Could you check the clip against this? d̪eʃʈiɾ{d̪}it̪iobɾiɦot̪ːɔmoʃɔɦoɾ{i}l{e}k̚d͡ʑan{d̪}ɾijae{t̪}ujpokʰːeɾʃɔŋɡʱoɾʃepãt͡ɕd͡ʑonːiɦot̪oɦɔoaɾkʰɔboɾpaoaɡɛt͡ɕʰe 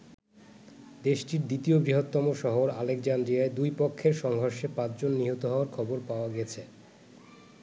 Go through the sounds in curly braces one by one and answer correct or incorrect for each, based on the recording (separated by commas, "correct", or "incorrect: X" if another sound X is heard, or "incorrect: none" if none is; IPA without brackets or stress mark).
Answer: correct, incorrect: a, correct, correct, incorrect: d̪